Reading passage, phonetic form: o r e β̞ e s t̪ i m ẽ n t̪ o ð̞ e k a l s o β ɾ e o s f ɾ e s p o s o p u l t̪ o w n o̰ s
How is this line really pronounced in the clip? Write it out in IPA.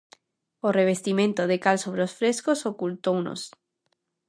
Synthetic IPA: o r e β̞ e s t̪ i m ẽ n t̪ o ð̞ e k a l s o β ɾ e o s f ɾ e s k o s o k u l t̪ o w n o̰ s